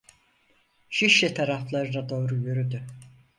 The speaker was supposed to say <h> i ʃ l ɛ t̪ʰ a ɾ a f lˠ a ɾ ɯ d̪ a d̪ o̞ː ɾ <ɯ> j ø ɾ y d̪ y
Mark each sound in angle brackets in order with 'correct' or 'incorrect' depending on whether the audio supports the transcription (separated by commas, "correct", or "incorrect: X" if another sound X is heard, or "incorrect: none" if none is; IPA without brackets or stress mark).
incorrect: ʃ, incorrect: u